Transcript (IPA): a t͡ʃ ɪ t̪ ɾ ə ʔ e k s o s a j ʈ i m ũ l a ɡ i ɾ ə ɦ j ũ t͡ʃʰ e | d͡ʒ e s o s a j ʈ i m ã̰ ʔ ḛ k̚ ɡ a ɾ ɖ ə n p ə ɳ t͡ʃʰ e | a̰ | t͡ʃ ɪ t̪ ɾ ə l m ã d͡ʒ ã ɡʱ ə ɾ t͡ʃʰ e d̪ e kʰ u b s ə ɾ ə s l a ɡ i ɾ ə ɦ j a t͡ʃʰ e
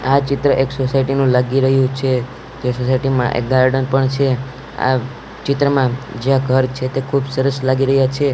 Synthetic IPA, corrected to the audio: a t͡ʃ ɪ t̪ ɾ ə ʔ e k s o s a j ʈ i n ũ l a ɡ i ɾ ə ɦ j ũ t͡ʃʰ e | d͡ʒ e s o s a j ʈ i m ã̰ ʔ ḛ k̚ ɡ a ɾ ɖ ə n p ə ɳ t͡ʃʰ e | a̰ | t͡ʃ ɪ t̪ ɾ ə m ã d͡ʒ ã ɡʱ ə ɾ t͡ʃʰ e t̪ e kʰ u b s ə ɾ ə s l a ɡ i ɾ ə ɦ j a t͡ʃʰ e